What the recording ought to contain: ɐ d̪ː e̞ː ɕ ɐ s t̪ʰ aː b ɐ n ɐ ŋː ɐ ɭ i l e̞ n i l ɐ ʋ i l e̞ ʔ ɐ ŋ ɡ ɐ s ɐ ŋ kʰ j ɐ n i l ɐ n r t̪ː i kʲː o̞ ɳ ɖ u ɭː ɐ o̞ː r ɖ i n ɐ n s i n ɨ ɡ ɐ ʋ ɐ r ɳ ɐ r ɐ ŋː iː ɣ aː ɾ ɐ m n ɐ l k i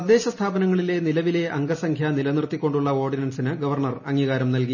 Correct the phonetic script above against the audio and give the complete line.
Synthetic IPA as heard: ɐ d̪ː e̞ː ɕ ɐ s t̪ʰ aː b ɐ n ɐ ŋː ɐ ɭ i l e̞ n i l ɐ ʋ i l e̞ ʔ ɐ ŋ ɡ ɐ s ɐ ŋ kʰ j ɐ n i l ɐ n r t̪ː i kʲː o̞ ɳ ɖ u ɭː ɐ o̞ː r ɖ i n ɐ n s i n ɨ ɡ ɐ ʋ ɐ r ɳ ɐ r ɐ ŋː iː ɣ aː ɾ ɐ m n ɐ l k i